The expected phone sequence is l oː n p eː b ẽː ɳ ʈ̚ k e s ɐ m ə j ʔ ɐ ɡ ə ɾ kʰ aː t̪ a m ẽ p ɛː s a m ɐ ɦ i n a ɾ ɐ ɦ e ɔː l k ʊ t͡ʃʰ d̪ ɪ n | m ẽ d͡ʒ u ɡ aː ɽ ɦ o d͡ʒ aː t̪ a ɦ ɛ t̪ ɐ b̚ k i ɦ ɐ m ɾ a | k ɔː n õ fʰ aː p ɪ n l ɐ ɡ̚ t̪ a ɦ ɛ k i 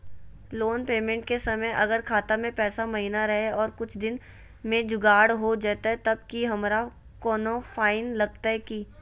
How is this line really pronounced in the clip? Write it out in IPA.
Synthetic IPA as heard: l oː n p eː m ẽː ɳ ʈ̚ k e s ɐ m ə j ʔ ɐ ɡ ə ɾ kʰ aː t̪ a m ẽ p ɛː s a m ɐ ɦ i n a ɾ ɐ ɦ e ɔː ɾ k ʊ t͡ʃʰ d̪ ɪ n | m ẽ d͡ʒ ʊ ɡ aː ɽ ɦ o d͡ʒ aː t̪ a ɦ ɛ t̪ ɐ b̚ k i ɦ ɐ m ɾ a | k ɔː n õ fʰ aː ɪ n l ɐ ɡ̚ t̪ a ɦ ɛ k i